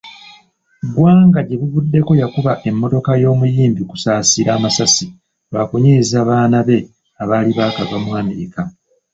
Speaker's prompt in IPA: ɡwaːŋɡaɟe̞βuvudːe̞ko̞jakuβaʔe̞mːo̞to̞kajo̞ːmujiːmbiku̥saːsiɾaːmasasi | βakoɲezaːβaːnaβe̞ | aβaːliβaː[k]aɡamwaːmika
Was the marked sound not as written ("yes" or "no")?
no